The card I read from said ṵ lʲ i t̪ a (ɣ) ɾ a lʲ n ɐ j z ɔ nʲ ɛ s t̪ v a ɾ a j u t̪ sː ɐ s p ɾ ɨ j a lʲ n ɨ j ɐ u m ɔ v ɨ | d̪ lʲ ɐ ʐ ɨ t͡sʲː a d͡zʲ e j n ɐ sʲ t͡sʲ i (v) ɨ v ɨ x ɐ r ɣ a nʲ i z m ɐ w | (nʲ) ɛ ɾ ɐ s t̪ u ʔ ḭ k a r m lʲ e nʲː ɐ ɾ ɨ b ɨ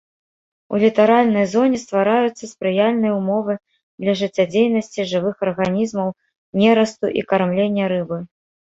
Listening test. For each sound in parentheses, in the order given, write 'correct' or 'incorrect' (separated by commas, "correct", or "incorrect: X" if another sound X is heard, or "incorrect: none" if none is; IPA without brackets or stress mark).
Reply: incorrect: none, incorrect: ʐ, correct